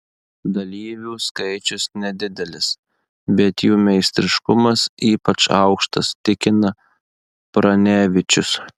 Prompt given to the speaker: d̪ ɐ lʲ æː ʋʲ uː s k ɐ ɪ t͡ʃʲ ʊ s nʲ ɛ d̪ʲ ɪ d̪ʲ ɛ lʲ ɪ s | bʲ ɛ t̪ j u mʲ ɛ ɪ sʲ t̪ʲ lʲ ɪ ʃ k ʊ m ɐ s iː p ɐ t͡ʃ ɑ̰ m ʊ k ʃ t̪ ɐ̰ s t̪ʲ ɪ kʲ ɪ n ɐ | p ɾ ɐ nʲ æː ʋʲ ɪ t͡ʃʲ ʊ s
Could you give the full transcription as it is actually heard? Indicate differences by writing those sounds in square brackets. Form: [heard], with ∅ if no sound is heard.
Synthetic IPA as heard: d̪ ɐ lʲ [iː] ʋʲ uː s k ɐ ɪ t͡ʃʲ ʊ s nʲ ɛ d̪ʲ ɪ d̪ʲ ɛ lʲ ɪ s | bʲ ɛ t̪ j [uː] mʲ ɛ ɪ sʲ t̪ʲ [ɾʲ] ɪ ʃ k ʊ m ɐ s iː p ɐ t͡ʃ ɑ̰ [∅] ʊ k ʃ t̪ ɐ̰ s t̪ʲ ɪ kʲ ɪ n ɐ | p ɾ ɐ nʲ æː ʋʲ ɪ t͡ʃʲ ʊ s